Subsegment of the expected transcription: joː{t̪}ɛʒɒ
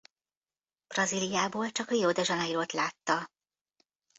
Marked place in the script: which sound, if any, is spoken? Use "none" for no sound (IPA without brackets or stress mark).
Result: d̪